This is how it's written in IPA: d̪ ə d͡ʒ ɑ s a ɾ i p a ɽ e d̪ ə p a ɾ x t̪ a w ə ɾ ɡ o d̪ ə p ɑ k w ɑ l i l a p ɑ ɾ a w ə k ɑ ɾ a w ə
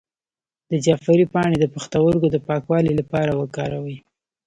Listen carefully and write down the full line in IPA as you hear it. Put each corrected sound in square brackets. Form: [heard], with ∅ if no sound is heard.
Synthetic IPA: d̪ ə d͡ʒ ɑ [f] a ɾ i p [ɑ] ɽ e d̪ ə p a [∅] x t̪ a w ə ɾ ɡ o d̪ ə p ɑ k w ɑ l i l a p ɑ ɾ a w ə k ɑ ɾ a w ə